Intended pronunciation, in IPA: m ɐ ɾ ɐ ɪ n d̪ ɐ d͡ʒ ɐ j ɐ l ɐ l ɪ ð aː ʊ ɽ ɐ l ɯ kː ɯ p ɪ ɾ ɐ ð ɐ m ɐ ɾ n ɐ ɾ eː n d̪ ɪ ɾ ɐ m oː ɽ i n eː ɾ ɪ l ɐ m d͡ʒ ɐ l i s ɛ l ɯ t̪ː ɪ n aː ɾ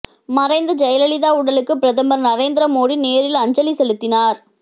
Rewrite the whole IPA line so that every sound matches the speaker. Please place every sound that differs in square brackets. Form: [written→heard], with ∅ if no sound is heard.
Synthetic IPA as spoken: m ɐ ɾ ɐ ɪ n d̪ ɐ d͡ʒ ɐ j ɐ l ɐ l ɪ ð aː ʊ ɽ ɐ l ɯ kː ɯ p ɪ ɾ ɐ ð ɐ m ɐ ɾ n ɐ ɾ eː n d̪ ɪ ɾ ɐ m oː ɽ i n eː ɾ ɪ l ɐ [m→ɲ] d͡ʒ ɐ l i s ɛ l ɯ t̪ː ɪ n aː ɾ